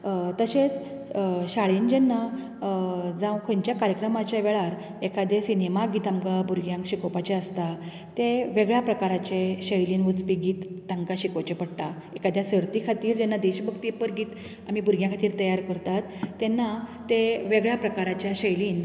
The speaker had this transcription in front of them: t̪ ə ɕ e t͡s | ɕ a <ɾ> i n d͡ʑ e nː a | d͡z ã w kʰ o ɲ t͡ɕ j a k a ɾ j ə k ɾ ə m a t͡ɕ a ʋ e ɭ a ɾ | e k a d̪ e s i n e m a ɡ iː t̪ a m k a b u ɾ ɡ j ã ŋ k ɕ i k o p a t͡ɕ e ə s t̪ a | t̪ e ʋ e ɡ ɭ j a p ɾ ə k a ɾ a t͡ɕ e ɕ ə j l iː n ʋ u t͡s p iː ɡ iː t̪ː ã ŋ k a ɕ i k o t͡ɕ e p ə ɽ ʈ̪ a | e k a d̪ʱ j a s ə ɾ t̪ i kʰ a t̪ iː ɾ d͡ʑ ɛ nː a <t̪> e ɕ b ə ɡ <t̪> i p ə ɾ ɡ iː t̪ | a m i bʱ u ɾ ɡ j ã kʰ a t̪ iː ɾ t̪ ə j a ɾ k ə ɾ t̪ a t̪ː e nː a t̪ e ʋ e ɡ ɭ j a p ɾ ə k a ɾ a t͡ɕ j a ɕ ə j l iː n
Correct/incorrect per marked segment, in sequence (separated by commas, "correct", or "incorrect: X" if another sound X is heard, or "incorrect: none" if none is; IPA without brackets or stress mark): incorrect: ɭ, incorrect: d̪, correct